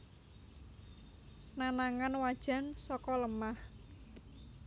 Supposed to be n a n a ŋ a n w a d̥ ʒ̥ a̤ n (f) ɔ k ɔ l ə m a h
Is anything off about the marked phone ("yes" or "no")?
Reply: yes